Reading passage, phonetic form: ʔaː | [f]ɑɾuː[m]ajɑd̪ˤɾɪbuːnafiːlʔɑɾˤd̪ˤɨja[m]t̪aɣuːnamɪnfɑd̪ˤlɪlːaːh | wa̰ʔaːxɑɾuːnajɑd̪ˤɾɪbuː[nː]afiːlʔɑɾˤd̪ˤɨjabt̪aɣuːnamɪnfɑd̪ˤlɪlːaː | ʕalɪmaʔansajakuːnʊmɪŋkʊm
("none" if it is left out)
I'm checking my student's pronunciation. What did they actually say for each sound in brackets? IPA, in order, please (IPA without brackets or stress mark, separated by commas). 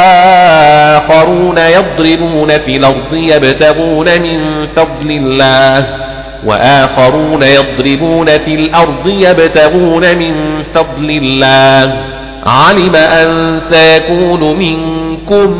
x, n, b, n